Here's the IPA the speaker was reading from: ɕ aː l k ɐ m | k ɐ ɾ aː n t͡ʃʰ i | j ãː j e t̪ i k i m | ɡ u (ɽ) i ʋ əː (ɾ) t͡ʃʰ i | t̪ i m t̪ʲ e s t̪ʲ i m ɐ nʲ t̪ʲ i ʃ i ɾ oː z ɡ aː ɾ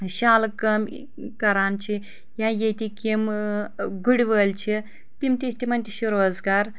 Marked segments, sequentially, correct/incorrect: correct, incorrect

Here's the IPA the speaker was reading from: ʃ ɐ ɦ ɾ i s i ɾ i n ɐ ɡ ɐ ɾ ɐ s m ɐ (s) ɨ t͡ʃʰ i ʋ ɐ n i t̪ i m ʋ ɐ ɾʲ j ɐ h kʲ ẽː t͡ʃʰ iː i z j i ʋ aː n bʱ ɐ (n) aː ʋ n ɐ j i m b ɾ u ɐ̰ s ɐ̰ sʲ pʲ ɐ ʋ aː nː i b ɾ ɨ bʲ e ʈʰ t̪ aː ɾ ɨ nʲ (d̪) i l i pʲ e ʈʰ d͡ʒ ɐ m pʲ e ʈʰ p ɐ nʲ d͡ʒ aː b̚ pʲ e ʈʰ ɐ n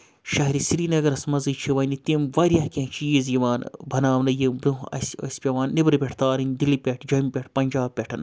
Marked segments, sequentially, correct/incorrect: incorrect, correct, correct

